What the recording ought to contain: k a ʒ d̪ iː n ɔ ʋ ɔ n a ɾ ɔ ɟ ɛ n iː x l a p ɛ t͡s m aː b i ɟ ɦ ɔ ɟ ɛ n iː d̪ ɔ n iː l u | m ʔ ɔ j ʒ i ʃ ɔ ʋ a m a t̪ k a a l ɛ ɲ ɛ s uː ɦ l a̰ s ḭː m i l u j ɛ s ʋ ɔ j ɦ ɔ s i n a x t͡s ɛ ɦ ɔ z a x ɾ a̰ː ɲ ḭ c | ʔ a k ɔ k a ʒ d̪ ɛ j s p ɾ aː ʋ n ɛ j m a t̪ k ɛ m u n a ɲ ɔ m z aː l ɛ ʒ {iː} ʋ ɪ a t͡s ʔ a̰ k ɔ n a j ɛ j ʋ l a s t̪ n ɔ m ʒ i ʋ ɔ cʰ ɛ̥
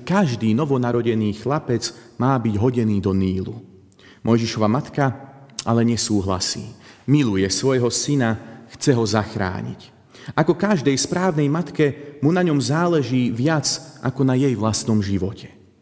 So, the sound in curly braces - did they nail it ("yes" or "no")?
yes